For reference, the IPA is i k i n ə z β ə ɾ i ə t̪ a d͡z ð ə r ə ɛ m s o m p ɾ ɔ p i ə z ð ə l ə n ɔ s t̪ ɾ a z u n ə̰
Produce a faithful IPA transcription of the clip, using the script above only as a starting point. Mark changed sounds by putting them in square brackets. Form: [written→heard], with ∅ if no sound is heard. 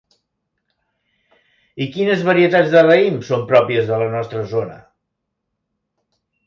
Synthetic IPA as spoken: i k i n ə z β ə ɾ i ə t̪ a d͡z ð ə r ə [ɛ→i] m s o m p ɾ ɔ p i ə z ð ə l ə n ɔ s t̪ ɾ [a→ə] z [u→o] n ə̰